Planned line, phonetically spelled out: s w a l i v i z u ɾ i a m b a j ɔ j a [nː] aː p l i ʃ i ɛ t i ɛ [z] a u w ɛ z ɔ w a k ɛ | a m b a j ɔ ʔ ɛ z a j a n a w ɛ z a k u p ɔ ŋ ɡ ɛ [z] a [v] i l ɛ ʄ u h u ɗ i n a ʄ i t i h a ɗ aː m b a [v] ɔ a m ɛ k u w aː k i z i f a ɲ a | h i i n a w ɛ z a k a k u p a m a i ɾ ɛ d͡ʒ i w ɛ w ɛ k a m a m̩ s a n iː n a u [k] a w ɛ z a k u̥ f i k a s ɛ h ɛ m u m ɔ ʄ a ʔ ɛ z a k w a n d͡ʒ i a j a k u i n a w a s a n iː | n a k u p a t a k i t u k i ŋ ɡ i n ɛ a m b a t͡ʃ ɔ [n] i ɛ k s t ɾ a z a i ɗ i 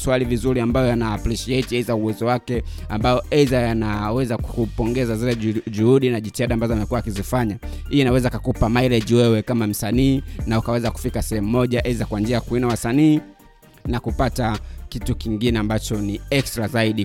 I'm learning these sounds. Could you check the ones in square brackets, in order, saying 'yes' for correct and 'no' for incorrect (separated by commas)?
no, yes, yes, no, no, yes, yes